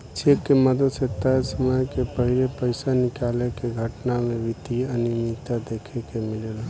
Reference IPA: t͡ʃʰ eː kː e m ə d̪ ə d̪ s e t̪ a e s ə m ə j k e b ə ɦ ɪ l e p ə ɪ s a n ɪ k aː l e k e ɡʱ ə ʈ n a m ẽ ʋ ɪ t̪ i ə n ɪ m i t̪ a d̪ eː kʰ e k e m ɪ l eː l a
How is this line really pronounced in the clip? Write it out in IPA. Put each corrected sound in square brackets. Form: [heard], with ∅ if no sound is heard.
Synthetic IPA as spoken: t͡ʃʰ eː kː e m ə d̪ ə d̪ s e t̪ a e s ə m ə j k e [p] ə ɦ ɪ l e p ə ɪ s a n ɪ k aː l e k e ɡʱ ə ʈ n a m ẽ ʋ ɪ t̪ i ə n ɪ m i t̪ a d̪ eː kʰ e k e m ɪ l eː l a